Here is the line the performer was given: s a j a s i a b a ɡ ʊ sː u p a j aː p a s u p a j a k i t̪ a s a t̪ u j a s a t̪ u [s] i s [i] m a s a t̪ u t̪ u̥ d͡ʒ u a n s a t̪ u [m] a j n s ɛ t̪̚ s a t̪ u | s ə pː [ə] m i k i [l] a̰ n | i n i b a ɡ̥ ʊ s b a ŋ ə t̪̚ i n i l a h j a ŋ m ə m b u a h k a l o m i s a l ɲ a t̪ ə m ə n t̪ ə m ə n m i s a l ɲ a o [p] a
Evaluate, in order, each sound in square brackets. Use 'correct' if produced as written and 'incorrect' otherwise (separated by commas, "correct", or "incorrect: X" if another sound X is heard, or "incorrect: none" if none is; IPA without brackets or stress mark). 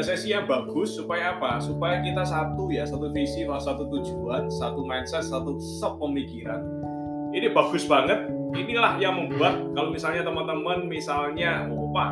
incorrect: f, correct, correct, correct, incorrect: ɾ, correct